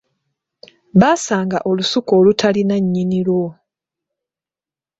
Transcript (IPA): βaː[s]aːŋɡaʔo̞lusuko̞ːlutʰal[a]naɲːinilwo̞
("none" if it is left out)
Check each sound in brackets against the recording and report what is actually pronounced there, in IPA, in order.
s, i

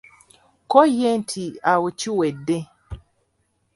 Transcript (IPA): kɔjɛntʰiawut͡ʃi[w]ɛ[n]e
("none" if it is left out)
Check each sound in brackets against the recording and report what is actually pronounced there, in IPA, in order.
w, d

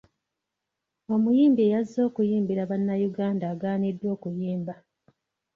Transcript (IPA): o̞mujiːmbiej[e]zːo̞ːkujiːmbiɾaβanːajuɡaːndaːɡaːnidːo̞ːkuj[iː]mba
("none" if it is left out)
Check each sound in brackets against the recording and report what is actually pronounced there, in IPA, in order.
a, iː

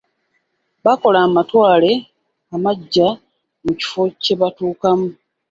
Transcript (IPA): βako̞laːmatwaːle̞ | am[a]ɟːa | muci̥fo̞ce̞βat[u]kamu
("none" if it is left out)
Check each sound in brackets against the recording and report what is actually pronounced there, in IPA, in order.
a, uː

